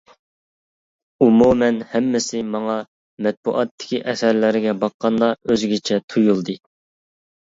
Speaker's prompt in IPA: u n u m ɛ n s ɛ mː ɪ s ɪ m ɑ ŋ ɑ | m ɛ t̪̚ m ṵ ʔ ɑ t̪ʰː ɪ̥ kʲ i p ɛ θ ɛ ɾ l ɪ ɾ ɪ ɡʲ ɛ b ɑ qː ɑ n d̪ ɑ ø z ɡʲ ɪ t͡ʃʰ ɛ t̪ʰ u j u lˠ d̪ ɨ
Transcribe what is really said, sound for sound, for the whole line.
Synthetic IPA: u m u m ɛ n h ɛ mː ɪ s ɪ m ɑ ŋ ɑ | m ɛ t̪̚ b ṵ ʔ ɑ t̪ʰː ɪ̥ kʲ i ʔ ɛ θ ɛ ɾ l ɪ ɾ ɪ ɡʲ ɛ b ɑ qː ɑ n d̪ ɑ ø z ɡʲ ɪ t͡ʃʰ ɛ t̪ʰ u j u lˠ d̪ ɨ